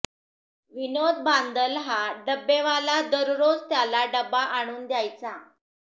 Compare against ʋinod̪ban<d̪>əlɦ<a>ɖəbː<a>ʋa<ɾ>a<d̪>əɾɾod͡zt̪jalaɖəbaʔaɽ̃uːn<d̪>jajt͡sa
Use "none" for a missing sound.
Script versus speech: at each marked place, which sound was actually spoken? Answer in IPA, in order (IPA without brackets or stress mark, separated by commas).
d̪, a, e, l, d̪, d̪